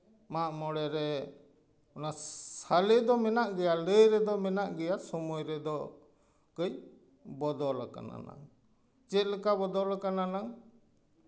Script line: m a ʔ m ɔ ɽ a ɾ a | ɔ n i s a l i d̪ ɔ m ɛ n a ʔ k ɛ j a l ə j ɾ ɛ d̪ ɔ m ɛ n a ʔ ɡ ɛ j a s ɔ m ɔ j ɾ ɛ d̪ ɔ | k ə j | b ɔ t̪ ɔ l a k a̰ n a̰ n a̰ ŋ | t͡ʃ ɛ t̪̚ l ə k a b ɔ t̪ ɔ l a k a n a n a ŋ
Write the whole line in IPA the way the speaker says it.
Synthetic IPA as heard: m a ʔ m ɔ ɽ ɛ ɾ ɛ | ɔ n a s a l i d̪ ɔ m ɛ n a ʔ ɡ ɛ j a l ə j ɾ ɛ d̪ ɔ m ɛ n a ʔ ɡ ɛ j a s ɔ m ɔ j ɾ ɛ d̪ ɔ | k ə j | b ɔ d̪ ɔ l a k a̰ n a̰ n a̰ ŋ | t͡ʃ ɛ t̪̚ l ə k a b ɔ d̪ ɔ l a k a n a n a ŋ